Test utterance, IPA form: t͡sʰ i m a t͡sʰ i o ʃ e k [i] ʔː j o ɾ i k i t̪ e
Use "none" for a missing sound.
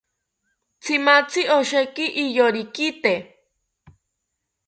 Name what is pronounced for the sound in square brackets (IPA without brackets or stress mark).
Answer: i